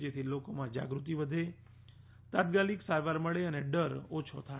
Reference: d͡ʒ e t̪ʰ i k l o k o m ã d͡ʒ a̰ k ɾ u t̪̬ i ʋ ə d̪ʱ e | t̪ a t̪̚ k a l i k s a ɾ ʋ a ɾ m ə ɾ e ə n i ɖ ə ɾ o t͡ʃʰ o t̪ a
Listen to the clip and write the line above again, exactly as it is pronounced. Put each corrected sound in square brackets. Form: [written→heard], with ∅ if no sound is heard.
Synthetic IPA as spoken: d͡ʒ e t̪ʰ i [k→∅] l o k o m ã d͡ʒ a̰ [k→ɡ] ɾ u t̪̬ i ʋ ə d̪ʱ e | t̪ a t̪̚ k a l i k s a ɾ ʋ a ɾ m ə [ɾ→ɭ] e ə n [i→e] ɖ ə ɾ o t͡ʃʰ o [t̪→t̪ʰ] a

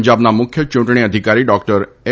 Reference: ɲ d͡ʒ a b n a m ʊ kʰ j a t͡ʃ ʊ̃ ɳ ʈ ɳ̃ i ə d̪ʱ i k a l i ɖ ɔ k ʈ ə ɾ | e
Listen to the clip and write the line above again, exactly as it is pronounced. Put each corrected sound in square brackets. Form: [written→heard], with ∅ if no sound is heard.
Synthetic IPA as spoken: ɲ d͡ʒ a b n a m ʊ kʰ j [a→ə] t͡ʃ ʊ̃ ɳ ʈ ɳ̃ i ə d̪ʱ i k a [l→ɾ] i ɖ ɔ k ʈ ə ɾ | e

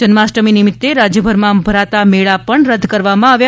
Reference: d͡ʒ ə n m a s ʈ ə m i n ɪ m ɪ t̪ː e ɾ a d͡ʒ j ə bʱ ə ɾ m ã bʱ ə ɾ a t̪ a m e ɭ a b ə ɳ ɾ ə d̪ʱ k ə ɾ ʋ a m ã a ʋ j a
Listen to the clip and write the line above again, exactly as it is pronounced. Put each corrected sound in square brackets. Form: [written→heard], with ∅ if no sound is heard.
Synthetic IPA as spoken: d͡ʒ ə n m a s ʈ ə m i n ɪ m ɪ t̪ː e ɾ a d͡ʒ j ə bʱ ə ɾ m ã bʱ ə ɾ a t̪ a m e ɭ a [b→p] ə ɳ ɾ ə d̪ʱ k ə ɾ ʋ a m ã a ʋ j a

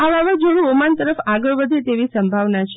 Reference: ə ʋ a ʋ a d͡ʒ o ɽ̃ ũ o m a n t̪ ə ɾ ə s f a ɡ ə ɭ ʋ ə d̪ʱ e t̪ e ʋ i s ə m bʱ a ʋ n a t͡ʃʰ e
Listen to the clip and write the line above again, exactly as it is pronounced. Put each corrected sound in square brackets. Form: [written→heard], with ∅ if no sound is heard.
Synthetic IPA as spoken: [ə→a] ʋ a ʋ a d͡ʒ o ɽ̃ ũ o m a n t̪ ə ɾ ə [s→∅] f a ɡ ə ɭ ʋ ə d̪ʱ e t̪ e ʋ i s ə m bʱ a ʋ n a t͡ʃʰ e

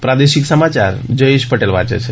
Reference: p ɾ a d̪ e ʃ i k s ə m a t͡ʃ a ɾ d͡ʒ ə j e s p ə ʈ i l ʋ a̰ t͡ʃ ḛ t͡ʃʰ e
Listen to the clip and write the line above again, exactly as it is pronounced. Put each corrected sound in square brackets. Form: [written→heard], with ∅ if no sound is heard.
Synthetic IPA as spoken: p ɾ a d̪ e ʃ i k s ə m a t͡ʃ a ɾ d͡ʒ ə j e [s→ʃ] p ə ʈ [i→e] l ʋ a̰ t͡ʃ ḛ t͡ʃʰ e

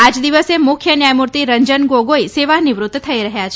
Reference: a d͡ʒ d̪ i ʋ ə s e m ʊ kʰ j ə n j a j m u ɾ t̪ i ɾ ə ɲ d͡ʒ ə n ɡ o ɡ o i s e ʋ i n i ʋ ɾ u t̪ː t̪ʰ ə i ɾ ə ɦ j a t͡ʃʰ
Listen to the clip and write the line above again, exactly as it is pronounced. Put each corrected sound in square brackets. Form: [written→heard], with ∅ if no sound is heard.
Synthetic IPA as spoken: a d͡ʒ d̪ i ʋ ə s e m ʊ kʰ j ə n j a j m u ɾ t̪ i ɾ ə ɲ d͡ʒ ə n ɡ o ɡ o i s e ʋ [i→a] n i ʋ ɾ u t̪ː t̪ʰ ə i ɾ ə ɦ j a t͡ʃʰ

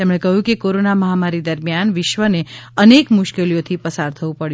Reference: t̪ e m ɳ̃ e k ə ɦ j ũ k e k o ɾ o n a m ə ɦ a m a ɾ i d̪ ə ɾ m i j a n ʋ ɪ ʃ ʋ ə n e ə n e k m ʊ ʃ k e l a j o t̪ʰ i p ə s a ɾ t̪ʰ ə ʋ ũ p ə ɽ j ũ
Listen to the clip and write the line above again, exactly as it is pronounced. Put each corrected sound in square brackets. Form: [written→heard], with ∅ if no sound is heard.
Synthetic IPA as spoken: t̪ e m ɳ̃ e k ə ɦ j ũ k e k o ɾ o n a m ə ɦ a m a ɾ i d̪ ə ɾ m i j a n ʋ ɪ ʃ ʋ ə n e ə n e k m ʊ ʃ k e l [a→i] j o t̪ʰ i p ə s a ɾ t̪ʰ ə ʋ ũ p ə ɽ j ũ

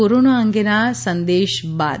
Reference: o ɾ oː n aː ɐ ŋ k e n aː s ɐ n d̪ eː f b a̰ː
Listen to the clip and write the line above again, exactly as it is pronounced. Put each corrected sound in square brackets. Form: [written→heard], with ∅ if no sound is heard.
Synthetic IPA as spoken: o ɾ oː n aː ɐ ŋ [k→ɡ] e n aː s ɐ n d̪ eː [f→ʃ] b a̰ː

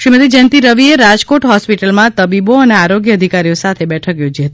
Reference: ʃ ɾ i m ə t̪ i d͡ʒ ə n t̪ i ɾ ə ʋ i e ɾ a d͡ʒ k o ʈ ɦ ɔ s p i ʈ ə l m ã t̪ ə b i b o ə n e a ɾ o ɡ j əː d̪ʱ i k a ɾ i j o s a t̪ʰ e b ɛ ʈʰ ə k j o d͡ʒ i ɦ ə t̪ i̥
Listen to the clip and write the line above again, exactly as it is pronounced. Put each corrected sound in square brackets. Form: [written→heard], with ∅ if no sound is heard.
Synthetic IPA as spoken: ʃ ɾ i m ə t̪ i d͡ʒ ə n t̪ i ɾ ə ʋ i e ɾ a d͡ʒ k o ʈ ɦ ɔ s p i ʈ ə l m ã t̪ ə b i b o ə n e a ɾ o ɡ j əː d̪ʱ i k a ɾ i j o s a t̪ʰ e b ɛ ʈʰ ə k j o d͡ʒ i ɦ ə t̪ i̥

